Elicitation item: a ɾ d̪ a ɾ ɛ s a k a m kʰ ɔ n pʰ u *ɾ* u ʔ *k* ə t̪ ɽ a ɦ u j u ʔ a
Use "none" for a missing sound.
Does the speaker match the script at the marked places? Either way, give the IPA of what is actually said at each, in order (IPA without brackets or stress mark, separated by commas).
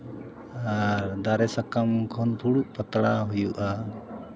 ɽ, p